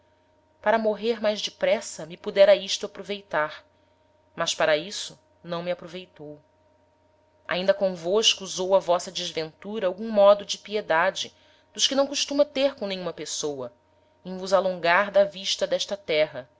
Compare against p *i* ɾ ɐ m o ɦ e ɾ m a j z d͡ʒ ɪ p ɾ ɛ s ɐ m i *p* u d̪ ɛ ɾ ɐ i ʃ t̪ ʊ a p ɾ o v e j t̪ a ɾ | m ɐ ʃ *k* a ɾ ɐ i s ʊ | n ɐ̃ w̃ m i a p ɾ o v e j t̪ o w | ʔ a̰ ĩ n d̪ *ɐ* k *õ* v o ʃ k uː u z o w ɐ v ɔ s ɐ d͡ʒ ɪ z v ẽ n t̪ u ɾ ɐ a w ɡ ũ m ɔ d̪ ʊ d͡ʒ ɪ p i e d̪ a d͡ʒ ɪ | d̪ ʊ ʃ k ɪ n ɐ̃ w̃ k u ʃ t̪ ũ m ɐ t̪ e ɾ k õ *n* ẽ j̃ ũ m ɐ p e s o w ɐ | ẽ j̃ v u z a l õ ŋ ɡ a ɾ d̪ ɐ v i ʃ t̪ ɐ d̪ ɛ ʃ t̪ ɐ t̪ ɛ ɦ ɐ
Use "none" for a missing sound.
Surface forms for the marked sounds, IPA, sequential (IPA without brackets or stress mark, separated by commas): a, p, p, ɐ, õ, n